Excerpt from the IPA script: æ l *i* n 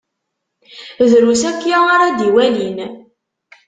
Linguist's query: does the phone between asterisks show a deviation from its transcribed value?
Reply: no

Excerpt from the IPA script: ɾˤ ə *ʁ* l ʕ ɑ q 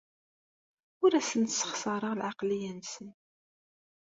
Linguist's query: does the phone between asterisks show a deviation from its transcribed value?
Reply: no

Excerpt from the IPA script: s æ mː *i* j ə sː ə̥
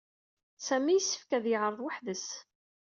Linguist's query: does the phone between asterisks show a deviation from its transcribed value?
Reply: no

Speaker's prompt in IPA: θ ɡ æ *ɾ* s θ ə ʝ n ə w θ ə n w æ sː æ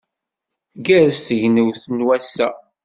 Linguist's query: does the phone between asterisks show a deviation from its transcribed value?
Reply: no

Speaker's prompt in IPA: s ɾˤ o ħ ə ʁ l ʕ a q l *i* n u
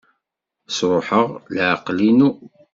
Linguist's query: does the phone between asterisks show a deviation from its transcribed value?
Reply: no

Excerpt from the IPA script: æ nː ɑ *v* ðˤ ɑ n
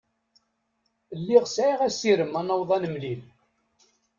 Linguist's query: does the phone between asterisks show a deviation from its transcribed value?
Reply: yes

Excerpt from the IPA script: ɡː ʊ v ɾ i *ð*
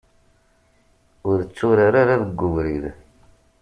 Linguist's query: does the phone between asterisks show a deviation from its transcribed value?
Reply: no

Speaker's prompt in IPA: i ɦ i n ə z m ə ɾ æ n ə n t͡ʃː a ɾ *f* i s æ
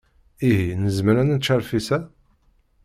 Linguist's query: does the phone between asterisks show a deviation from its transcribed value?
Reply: no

